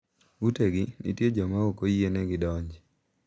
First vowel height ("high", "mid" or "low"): high